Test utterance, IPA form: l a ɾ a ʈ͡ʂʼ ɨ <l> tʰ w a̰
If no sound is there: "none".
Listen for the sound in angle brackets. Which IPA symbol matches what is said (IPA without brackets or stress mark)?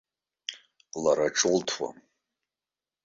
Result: l